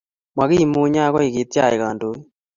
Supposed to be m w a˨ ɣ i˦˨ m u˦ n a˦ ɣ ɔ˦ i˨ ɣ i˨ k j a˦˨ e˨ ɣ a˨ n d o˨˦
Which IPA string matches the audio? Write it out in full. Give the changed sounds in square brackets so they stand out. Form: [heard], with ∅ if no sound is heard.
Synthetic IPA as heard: m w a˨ ɣ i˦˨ m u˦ [ɲ] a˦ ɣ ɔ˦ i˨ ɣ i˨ [t] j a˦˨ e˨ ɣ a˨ n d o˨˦